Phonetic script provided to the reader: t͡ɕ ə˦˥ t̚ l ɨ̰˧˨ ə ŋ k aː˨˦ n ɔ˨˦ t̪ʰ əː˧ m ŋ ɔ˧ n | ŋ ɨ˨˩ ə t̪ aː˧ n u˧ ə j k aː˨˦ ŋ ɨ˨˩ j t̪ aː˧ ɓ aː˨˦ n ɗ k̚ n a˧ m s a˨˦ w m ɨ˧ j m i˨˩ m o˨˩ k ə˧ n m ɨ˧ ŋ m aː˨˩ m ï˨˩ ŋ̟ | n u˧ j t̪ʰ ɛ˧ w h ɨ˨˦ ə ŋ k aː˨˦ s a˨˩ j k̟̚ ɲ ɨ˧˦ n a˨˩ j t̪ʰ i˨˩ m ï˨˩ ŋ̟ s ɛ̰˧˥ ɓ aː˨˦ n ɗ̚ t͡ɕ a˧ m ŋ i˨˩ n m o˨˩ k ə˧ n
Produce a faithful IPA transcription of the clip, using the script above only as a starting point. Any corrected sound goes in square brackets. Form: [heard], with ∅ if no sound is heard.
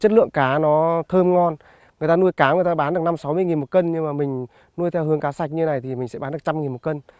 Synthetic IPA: t͡ɕ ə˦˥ t̚ l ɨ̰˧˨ ə ŋ k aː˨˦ n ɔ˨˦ t̪ʰ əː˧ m ŋ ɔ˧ n | ŋ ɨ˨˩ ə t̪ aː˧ n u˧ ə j k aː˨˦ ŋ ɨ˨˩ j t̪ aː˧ ɓ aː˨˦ n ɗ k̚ n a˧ m s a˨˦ w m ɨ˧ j [ŋ] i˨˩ m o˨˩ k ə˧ n [ɲ] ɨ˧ ŋ m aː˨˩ m ï˨˩ ŋ̟ | n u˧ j t̪ʰ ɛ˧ w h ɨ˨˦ ə ŋ k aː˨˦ s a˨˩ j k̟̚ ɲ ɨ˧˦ n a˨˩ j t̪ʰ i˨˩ m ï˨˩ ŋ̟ s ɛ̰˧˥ ɓ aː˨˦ n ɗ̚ t͡ɕ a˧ m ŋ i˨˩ n m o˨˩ k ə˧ n